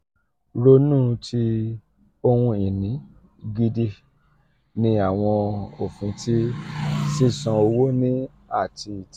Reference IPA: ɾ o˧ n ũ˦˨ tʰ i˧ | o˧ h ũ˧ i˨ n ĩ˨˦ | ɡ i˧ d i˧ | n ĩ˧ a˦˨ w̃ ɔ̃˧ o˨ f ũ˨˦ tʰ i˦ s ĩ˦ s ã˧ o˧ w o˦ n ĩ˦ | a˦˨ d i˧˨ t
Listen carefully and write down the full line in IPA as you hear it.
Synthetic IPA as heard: ɾ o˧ n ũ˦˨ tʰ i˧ | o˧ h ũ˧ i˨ n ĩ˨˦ | ɡ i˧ d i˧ | n ĩ˧ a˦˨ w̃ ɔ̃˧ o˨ f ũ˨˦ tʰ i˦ s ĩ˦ s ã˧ o˧ w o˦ n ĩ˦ | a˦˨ t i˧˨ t

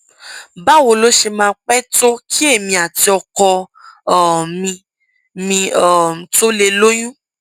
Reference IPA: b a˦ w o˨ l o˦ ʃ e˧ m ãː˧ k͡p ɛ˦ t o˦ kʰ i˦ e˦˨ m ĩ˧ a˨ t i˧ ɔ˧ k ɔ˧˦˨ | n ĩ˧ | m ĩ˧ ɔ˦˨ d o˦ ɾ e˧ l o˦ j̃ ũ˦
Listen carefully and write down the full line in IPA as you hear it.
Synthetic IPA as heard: b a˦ w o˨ l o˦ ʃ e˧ m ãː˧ k͡p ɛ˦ t o˦ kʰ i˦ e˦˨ m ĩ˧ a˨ t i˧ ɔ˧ k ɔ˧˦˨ | m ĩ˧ | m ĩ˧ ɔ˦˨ t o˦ l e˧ l o˦ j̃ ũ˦

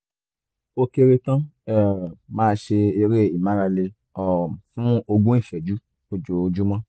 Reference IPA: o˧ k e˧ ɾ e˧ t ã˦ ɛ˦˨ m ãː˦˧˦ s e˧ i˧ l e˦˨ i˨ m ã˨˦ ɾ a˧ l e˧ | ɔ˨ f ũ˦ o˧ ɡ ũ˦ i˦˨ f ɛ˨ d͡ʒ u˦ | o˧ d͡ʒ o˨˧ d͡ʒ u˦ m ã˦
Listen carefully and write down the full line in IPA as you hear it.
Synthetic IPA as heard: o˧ k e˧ ɾ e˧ t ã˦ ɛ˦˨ m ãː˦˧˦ ʃ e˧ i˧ ɾ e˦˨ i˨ m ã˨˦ ɾ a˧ l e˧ | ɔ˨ f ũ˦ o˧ ɡ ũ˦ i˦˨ f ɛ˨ d͡ʒ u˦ | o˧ d͡ʒ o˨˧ d͡ʒ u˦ m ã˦

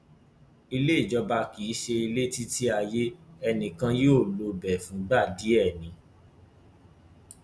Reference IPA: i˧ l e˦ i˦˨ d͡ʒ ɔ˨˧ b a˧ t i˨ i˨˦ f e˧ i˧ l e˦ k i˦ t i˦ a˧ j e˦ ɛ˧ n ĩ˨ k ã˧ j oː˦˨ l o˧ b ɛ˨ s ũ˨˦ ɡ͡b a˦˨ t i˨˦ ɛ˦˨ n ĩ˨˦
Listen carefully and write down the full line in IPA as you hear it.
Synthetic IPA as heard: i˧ l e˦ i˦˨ d͡ʒ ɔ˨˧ b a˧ k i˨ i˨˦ ʃ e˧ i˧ l e˦ t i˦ t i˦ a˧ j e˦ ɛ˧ n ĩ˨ k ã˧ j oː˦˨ l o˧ b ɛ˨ f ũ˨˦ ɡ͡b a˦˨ d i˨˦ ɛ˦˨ n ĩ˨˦

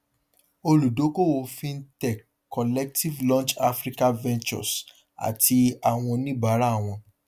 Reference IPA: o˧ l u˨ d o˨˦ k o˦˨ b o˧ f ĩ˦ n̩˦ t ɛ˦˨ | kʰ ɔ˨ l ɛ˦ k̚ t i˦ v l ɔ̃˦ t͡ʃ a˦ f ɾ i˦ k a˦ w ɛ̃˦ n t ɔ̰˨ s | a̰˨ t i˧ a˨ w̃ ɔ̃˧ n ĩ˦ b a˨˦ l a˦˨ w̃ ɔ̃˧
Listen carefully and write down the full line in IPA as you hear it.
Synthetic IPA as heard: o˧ l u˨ d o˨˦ k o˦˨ w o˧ f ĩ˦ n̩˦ t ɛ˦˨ | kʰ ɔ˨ l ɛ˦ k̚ t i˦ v l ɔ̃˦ t͡ʃ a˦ f ɾ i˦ k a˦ v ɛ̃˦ n t͡ʃ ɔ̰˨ s | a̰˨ t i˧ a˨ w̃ ɔ̃˧ n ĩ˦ b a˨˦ ɾ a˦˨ w̃ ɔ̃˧

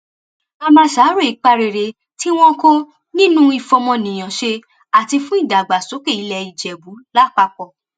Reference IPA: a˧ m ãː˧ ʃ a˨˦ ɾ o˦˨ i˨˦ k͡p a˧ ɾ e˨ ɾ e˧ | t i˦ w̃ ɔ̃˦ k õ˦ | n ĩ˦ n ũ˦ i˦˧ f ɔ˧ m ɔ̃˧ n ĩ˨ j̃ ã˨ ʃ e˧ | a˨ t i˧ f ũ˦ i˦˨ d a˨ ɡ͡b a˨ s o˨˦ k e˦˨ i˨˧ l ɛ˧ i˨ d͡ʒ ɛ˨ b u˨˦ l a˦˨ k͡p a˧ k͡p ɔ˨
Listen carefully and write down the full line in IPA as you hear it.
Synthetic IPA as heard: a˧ m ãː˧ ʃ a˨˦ ɾ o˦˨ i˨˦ k͡p a˧ ɾ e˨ ɾ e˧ | t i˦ w̃ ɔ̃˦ k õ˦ | n ĩ˦ n ũ˦ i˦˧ f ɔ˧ m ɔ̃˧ n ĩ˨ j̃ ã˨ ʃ e˧ | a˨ t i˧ f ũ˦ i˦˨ d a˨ ɡ͡b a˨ s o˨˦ k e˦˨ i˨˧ l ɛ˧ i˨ d͡ʒ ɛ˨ b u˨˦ l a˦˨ k͡p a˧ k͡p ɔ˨

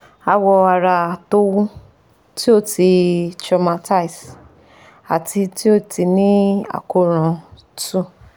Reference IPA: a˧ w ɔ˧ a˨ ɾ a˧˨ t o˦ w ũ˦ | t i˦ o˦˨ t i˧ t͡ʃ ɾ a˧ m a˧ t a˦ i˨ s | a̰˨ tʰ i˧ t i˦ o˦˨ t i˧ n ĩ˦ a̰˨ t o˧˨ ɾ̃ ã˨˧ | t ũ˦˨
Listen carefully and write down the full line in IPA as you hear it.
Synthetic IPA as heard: a˧ w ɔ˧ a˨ ɾ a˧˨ t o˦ w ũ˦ | t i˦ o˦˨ t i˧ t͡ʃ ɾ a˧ m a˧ t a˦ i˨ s | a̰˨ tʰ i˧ t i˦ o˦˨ t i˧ n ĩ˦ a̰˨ k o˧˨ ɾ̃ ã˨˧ | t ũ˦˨

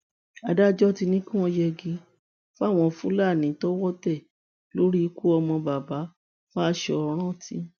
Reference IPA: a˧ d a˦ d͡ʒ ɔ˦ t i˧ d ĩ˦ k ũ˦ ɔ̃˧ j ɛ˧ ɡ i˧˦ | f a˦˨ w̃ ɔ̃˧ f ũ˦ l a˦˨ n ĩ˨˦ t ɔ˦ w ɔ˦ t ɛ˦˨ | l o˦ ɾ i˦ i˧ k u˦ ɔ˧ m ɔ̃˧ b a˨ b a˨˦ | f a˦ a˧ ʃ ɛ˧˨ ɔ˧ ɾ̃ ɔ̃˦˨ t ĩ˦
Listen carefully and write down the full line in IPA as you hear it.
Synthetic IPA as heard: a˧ d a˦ d͡ʒ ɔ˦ t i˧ n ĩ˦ k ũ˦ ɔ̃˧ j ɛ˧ ɡ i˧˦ | f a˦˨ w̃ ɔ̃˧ f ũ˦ l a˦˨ n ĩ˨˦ t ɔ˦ w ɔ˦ t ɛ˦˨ | l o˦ ɾ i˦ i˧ k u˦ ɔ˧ m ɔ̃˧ b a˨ b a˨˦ | f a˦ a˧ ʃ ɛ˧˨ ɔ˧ ɾ̃ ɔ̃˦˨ t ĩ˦

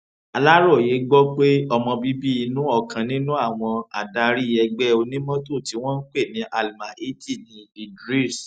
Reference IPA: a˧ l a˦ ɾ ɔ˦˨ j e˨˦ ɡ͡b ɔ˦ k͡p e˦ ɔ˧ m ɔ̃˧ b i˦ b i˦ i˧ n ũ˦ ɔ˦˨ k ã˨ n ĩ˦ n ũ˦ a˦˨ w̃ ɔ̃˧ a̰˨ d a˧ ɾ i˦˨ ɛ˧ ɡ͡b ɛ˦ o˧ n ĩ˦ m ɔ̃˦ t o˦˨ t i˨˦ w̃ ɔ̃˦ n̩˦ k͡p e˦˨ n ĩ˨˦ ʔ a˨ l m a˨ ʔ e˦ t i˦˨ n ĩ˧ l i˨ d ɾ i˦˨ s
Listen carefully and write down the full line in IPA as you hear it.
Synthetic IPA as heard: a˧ l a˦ ɾ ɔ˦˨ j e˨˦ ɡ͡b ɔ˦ k͡p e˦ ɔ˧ m ɔ̃˧ b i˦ b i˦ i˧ n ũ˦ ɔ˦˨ k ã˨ n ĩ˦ n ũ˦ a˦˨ w̃ ɔ̃˧ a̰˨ d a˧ ɾ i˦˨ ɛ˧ ɡ͡b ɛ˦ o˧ n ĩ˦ m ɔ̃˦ t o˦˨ t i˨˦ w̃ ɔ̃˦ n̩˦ k͡p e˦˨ n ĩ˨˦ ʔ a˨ l m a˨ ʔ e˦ t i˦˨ n ĩ˧ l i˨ d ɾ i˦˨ s

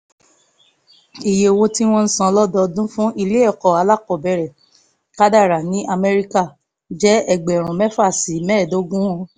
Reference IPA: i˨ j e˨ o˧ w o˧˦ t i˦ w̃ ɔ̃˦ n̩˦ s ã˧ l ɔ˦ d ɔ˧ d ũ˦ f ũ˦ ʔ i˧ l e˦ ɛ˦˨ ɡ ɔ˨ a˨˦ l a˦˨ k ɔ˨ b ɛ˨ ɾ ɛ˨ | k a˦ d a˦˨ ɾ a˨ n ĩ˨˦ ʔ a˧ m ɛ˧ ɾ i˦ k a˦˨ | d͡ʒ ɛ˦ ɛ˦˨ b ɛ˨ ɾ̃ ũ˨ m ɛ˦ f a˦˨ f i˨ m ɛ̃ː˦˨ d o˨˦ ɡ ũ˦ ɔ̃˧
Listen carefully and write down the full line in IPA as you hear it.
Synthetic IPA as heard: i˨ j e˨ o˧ w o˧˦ t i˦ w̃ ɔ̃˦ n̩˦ s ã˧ l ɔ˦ d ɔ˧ d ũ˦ f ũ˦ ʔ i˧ l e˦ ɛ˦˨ k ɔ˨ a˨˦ l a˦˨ k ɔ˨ b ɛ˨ ɾ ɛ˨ | k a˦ d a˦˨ ɾ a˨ n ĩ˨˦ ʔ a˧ m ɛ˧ ɾ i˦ k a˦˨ | d͡ʒ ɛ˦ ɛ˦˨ ɡ͡b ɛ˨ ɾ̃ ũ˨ m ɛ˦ f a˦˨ s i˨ m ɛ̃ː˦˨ d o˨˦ ɡ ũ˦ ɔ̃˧

